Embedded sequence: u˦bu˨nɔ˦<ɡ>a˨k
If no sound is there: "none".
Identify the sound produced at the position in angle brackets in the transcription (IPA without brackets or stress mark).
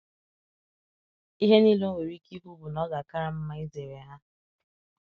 ɡ